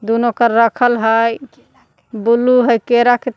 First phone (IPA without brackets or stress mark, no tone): d̪